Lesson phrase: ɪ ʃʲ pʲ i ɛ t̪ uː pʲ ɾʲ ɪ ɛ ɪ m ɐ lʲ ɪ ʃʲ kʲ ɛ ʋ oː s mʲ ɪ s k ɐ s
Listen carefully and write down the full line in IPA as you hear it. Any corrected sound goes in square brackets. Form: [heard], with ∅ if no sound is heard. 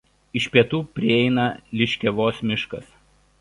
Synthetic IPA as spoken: ɪ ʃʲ pʲ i ɛ t̪ uː pʲ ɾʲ ɪ ɛ ɪ [n] ɐ lʲ ɪ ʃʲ kʲ ɛ ʋ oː s mʲ ɪ [ʃ] k ɐ s